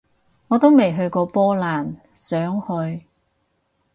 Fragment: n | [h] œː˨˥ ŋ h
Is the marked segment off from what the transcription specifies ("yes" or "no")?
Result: yes